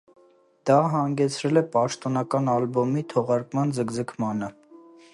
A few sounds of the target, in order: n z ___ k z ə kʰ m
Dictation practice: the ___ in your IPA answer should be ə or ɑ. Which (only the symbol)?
ə